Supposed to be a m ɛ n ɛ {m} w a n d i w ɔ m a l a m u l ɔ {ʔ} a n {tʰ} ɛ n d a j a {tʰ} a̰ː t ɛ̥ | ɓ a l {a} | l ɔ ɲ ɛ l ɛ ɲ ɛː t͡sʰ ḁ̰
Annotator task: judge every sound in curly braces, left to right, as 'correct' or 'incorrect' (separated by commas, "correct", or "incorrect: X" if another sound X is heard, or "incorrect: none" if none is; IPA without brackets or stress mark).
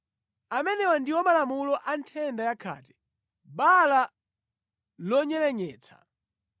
incorrect: none, correct, correct, incorrect: kʰ, correct